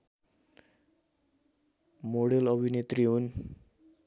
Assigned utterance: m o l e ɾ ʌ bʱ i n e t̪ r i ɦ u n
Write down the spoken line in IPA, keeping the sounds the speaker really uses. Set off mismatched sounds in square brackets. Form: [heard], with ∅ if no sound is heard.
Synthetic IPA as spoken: m o [ɽ] e [l] ʌ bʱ i n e t̪ r i ɦ u n